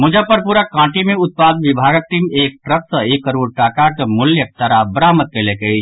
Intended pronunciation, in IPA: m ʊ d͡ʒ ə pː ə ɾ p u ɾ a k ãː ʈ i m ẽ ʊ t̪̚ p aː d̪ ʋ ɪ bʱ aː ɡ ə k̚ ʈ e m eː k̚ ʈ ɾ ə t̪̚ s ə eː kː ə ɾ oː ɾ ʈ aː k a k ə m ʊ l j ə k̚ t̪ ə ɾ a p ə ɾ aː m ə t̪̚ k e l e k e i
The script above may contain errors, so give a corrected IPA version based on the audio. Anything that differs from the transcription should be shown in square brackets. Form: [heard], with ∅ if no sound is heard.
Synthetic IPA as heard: m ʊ d͡ʒ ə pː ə ɾ p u ɾ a k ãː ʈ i m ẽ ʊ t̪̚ p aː d̪ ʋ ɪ bʱ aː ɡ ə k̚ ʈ [i] m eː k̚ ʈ ɾ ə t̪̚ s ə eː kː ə ɾ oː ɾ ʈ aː k a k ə m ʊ l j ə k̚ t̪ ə ɾ a [b] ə ɾ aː m ə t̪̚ k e l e k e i